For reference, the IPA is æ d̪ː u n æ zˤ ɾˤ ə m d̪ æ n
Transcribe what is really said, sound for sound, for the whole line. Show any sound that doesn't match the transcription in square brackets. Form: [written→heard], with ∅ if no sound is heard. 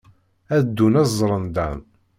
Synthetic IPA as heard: æ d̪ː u n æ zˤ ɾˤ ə [m→n] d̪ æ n